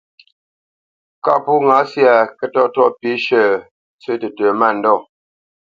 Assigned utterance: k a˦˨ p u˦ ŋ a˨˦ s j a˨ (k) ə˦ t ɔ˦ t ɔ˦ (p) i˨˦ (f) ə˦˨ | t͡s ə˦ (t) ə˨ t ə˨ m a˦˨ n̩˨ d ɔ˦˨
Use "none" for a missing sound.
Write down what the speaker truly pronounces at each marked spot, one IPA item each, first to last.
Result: k, p, ʃ, t

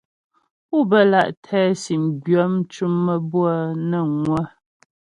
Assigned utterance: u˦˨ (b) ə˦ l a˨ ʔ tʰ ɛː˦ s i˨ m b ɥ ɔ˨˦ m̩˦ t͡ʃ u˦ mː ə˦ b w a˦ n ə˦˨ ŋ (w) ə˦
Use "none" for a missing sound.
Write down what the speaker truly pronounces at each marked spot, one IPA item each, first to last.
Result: b, w

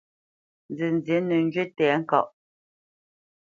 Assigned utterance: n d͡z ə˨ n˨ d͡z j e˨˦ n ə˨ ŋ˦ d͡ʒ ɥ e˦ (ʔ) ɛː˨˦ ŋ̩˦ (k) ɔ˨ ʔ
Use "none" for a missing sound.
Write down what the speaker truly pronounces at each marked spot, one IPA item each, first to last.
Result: t, k

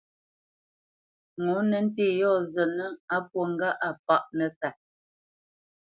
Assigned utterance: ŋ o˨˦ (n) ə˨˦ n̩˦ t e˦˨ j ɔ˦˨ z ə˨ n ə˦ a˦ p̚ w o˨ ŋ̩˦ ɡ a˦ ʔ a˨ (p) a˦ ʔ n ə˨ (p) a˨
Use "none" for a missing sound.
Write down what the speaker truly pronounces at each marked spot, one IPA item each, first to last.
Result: n, p, k

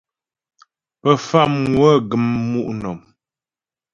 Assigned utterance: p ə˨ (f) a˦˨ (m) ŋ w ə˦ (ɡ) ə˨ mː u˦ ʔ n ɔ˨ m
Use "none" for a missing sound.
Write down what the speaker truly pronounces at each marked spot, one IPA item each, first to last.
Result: f, m, ɡ

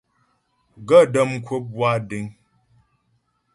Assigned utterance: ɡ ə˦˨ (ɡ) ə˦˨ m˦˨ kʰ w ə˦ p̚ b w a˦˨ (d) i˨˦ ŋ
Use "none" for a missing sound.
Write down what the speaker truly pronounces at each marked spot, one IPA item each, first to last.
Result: d, d

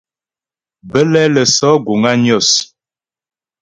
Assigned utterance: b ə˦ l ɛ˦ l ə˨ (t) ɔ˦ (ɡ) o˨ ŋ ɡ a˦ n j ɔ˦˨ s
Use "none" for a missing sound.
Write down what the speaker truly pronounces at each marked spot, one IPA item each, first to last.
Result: s, ɡ

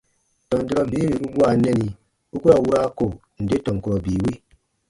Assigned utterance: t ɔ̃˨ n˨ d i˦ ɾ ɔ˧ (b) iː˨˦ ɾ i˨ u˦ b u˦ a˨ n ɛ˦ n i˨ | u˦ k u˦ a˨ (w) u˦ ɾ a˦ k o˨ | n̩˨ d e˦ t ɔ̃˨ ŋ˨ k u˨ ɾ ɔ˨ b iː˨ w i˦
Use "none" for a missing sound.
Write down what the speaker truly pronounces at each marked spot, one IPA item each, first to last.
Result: b, w

